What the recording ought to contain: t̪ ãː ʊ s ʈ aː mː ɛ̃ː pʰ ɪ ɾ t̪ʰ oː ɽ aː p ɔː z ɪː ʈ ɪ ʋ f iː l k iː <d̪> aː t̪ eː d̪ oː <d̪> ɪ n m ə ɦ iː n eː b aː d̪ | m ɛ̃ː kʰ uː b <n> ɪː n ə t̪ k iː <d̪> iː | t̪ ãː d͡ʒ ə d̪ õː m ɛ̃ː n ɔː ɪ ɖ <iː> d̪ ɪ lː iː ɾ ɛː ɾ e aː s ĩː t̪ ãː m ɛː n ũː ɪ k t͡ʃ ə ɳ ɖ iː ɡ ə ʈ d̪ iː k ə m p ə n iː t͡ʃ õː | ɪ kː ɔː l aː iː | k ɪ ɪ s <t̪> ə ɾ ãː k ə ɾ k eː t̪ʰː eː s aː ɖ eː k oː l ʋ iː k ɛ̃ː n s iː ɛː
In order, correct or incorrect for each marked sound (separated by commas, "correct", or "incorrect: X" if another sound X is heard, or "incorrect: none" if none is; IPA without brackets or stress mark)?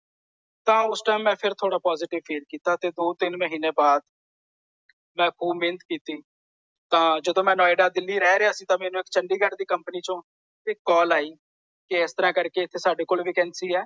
incorrect: t̪, incorrect: t̪, incorrect: m, incorrect: t̪, incorrect: aː, correct